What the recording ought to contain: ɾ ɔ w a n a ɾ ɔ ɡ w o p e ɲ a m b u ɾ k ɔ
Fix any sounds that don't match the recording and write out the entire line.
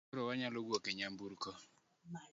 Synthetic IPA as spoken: ɾ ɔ w a ɲ a l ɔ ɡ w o k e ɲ a m b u ɾ k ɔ